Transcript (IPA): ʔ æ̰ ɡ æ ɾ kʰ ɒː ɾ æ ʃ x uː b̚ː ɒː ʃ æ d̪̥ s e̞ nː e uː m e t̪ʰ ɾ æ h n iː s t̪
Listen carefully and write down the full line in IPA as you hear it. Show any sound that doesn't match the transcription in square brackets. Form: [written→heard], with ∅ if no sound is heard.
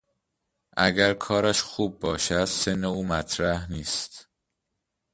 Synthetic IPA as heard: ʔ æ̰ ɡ æ ɾ kʰ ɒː ɾ æ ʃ x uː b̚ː ɒː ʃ æ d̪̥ s e̞ nː e uː m [e→æ] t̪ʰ ɾ æ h n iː s t̪

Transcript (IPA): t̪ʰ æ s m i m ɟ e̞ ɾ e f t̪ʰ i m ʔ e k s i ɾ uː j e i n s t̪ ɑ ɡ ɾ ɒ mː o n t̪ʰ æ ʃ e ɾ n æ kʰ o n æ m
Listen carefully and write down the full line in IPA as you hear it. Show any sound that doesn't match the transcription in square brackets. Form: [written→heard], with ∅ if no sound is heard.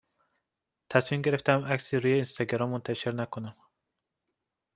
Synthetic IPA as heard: t̪ʰ æ s m i m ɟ e̞ ɾ e f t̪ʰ [i→æ] m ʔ [e→æ] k s i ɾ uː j e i n s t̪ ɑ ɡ ɾ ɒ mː o n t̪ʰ æ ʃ e ɾ n æ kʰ o n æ m

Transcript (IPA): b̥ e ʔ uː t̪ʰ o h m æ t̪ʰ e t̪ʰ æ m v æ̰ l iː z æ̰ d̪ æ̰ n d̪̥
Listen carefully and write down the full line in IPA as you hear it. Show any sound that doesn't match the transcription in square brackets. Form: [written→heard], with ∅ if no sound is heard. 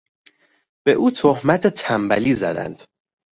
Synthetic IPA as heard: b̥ e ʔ uː t̪ʰ o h m æ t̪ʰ e t̪ʰ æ m [v→b] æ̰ l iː z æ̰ d̪ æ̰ n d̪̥

